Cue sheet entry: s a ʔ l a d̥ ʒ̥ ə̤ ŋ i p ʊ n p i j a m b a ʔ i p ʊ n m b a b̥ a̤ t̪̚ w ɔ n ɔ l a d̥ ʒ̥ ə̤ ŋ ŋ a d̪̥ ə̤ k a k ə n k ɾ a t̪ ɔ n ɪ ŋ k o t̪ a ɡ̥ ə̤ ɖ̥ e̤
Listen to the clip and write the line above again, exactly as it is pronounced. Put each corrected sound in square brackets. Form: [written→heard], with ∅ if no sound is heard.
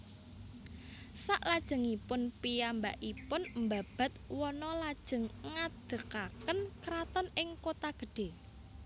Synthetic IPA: s a ʔ l a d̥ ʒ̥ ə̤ ŋ i p ʊ n p i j a m b a ʔ i p ʊ n m b a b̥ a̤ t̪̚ w ɔ n ɔ l a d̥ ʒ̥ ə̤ ŋ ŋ a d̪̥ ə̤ k a k ə n k ɾ a t̪ ɔ n ɪ ŋ k o t̪ a ɡ̥ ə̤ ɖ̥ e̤